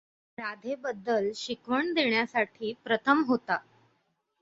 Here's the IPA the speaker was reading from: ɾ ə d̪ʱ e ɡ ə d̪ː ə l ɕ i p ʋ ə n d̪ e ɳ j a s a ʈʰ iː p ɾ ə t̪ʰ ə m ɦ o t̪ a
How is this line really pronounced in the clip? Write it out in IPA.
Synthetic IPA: ɾ a d̪ʱ e b ə d̪ː ə l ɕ i k ʋ ə ɳ d̪ e ɳ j a s a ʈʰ iː p ɾ ə t̪ʰ ə m ɦ o t̪ a